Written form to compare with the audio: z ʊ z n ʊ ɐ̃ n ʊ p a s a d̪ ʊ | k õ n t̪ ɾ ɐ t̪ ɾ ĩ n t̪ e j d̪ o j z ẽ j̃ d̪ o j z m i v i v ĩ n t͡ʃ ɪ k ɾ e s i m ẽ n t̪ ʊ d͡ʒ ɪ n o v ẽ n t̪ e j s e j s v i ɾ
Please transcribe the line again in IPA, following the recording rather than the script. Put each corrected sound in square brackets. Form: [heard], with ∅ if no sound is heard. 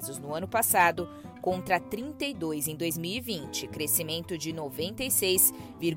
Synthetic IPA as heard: z ʊ z n ʊ ɐ̃ n ʊ p a s a d̪ ʊ | k õ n t̪ ɾ ɐ t̪ ɾ ĩ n t̪ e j d̪ o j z ẽ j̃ d̪ o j z m i [w] i v ĩ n t͡ʃ ɪ k ɾ e s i m ẽ n t̪ ʊ d͡ʒ ɪ n o v ẽ n t̪ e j s e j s v i ɾ